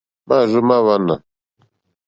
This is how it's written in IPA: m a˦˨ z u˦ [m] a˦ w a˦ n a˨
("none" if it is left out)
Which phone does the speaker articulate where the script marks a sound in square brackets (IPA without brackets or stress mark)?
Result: m